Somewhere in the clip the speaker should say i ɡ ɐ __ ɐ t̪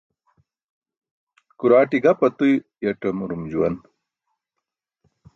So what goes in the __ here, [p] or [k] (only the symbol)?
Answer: p